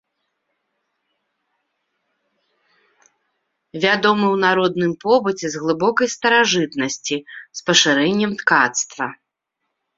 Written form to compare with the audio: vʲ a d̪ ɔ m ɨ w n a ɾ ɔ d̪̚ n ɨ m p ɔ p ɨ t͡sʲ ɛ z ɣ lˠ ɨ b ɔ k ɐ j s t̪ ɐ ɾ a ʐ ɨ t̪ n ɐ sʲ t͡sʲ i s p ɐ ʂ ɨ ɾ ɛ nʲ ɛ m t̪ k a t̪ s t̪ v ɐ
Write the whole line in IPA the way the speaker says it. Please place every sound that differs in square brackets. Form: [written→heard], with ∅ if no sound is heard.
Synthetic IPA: vʲ a d̪ ɔ m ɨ w n a ɾ ɔ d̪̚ n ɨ m p ɔ [p→b] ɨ t͡sʲ ɛ z ɣ lˠ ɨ b ɔ k ɐ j s t̪ ɐ ɾ a ʐ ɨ t̪ n ɐ sʲ t͡sʲ i s p ɐ ʂ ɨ ɾ ɛ [nʲ→nʲː] ɛ m t̪ k a t̪ s t̪ v ɐ